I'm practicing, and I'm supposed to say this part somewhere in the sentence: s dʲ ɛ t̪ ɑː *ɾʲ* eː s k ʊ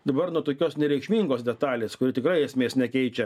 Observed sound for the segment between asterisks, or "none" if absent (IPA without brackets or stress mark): lʲ